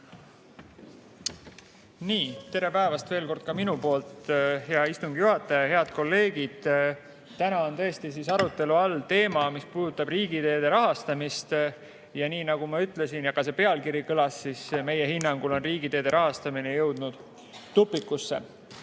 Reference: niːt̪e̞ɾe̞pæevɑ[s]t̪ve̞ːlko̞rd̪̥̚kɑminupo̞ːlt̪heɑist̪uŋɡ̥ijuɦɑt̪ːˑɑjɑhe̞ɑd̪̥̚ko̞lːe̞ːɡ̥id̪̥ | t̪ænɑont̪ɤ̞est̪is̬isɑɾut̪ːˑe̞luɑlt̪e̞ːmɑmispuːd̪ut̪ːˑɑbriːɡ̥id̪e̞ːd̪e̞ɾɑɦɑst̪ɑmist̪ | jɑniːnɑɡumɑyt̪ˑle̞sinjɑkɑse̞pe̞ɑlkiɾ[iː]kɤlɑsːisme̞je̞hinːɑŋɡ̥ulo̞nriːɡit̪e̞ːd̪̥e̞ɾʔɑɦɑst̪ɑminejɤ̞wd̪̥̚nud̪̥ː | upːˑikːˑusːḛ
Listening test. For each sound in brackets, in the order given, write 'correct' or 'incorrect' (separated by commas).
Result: correct, incorrect